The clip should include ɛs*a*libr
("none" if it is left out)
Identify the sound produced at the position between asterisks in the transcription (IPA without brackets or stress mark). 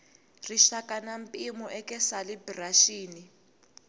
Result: a